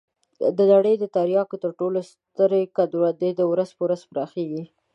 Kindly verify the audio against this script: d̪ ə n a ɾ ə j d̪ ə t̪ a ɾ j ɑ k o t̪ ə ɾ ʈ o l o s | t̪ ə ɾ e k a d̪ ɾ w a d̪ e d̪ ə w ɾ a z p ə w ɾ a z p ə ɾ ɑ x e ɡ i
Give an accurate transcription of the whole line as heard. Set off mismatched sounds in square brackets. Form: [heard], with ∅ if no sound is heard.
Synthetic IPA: d̪ ə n a [ɽ] ə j d̪ ə t̪ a ɾ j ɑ k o t̪ ə ɾ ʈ o l o s | t̪ ə ɾ e k a d̪ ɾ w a d̪ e d̪ ə w ɾ a z p ə w ɾ a z p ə ɾ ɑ x e ɡ i